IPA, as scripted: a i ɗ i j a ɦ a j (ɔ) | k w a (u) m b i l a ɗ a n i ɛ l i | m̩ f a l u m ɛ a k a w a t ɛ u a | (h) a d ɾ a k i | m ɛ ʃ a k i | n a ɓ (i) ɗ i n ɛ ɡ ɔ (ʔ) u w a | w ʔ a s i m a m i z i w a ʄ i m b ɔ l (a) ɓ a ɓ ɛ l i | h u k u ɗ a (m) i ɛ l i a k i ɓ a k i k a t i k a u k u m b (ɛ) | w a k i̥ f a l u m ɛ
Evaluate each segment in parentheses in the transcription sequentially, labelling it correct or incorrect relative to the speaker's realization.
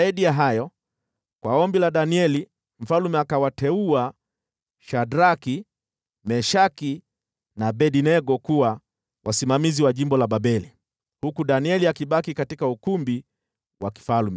correct, incorrect, incorrect, incorrect, incorrect, correct, incorrect, incorrect

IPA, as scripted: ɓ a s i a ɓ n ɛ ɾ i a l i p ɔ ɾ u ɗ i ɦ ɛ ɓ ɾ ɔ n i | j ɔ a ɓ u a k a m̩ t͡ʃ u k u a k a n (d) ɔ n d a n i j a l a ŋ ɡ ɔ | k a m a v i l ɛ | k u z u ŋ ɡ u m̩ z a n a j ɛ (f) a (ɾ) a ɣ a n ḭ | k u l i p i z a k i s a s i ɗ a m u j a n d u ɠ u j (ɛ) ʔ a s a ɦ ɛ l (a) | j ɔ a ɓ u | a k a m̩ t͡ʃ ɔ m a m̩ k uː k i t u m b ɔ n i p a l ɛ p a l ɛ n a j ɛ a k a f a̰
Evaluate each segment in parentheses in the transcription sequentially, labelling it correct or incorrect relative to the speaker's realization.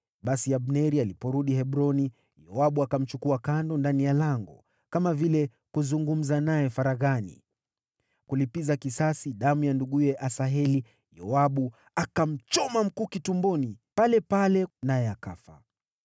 correct, correct, correct, correct, incorrect

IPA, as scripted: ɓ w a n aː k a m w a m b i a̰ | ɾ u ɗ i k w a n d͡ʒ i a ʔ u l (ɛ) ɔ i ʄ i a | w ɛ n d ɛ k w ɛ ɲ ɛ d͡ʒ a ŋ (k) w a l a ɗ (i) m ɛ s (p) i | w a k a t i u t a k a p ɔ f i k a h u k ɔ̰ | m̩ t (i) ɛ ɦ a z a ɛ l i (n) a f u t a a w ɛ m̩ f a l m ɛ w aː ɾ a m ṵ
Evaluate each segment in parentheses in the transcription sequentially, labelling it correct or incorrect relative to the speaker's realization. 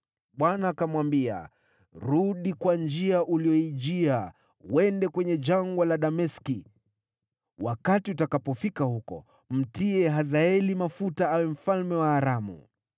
incorrect, incorrect, incorrect, incorrect, correct, incorrect

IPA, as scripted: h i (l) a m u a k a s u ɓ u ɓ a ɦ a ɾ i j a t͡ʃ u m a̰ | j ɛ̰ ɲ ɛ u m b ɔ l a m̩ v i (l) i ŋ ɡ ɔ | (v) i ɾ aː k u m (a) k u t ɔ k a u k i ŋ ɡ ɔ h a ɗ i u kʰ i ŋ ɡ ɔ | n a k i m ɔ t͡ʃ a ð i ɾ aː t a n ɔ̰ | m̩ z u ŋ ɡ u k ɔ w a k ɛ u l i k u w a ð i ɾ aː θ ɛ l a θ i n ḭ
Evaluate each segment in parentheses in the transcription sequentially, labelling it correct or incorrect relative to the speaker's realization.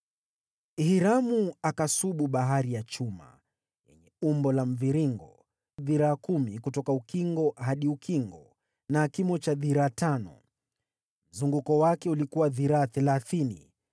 incorrect, incorrect, incorrect, incorrect

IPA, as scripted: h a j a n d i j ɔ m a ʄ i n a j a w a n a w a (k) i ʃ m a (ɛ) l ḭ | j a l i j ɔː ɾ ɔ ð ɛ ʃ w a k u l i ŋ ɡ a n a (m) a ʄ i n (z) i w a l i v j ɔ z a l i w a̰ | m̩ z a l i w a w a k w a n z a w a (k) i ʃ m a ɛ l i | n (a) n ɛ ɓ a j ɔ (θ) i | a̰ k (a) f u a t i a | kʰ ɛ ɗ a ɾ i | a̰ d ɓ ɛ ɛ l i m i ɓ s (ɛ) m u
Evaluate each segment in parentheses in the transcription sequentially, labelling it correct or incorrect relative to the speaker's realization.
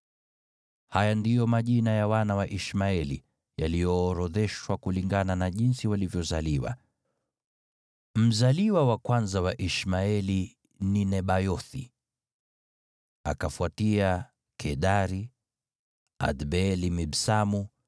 incorrect, correct, incorrect, incorrect, incorrect, incorrect, correct, correct, incorrect

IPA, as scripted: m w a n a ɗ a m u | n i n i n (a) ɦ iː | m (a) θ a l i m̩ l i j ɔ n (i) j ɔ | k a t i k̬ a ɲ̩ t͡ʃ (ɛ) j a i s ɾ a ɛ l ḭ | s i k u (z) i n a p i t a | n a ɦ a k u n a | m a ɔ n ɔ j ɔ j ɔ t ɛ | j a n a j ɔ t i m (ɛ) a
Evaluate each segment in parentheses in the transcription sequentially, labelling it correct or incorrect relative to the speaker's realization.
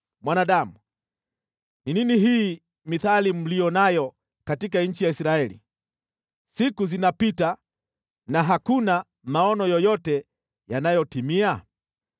incorrect, incorrect, incorrect, incorrect, correct, incorrect

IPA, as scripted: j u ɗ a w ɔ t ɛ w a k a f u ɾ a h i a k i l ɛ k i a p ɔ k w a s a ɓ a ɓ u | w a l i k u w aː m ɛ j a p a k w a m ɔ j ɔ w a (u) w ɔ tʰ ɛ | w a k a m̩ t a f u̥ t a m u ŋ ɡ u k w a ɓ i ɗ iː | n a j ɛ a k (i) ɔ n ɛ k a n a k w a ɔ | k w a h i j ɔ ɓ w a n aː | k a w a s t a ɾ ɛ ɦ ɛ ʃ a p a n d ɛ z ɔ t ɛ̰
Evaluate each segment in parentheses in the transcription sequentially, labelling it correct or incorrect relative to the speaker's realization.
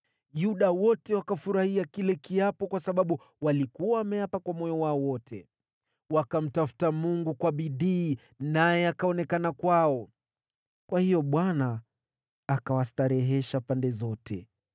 incorrect, incorrect

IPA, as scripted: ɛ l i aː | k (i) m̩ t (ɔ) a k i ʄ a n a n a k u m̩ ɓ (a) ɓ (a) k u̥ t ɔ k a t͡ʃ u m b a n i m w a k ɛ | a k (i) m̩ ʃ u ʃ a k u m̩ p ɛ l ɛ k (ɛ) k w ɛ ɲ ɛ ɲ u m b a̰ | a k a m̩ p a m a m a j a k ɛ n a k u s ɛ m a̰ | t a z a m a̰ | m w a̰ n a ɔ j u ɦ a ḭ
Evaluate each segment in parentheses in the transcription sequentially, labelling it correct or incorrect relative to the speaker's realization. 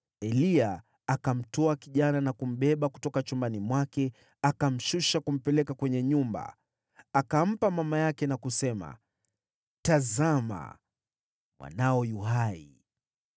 incorrect, correct, incorrect, correct, incorrect, incorrect

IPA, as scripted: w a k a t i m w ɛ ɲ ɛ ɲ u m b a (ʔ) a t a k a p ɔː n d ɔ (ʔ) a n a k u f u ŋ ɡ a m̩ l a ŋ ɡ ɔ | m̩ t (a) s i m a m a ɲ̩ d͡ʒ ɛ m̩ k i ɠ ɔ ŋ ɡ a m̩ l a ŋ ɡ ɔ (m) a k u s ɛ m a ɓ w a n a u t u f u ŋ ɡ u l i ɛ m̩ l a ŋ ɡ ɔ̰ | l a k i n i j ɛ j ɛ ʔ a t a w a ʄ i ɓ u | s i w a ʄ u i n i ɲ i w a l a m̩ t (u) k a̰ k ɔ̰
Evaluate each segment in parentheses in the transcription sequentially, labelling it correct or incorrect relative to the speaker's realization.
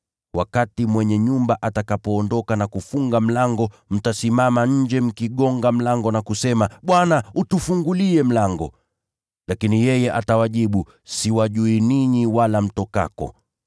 correct, incorrect, correct, incorrect, incorrect

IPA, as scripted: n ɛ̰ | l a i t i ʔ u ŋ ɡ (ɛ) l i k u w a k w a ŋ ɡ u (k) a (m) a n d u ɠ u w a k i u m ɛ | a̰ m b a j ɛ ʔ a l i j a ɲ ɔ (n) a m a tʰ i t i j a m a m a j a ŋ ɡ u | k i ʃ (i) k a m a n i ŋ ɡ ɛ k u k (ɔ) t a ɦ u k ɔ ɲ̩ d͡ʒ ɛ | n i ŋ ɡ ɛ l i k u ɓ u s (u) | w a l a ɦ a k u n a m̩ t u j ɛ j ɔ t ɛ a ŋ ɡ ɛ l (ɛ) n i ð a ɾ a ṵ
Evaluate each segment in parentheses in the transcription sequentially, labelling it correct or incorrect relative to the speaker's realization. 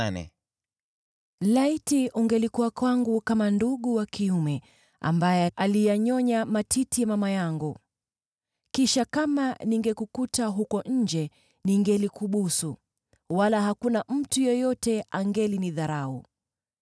correct, correct, correct, incorrect, incorrect, incorrect, correct, incorrect

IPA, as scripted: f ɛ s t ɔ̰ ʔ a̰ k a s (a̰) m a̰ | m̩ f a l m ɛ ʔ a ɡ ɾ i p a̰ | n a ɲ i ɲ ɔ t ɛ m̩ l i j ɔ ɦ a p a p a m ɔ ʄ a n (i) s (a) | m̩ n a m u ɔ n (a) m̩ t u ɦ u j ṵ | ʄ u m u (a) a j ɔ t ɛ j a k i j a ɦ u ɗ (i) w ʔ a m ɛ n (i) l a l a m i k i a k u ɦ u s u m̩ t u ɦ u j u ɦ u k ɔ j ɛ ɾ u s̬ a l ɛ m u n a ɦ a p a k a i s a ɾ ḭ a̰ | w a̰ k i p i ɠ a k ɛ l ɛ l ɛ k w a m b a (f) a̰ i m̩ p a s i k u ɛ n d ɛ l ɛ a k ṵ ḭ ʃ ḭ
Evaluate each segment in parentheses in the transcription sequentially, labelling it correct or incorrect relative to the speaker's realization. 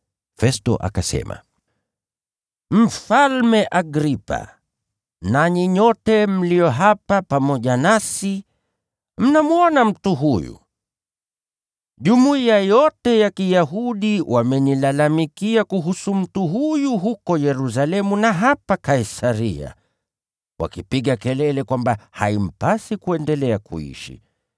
incorrect, incorrect, incorrect, correct, incorrect, correct, correct, incorrect

